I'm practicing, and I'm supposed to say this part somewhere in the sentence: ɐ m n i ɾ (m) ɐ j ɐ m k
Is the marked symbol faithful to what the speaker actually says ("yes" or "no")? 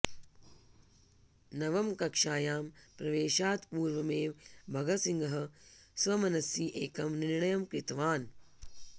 no